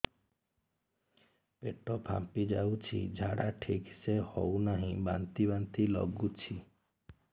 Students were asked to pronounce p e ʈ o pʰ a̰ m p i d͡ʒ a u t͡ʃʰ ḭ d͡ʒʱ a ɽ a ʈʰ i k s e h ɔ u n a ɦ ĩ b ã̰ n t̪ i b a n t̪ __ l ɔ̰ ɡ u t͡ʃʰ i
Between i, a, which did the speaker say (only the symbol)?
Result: i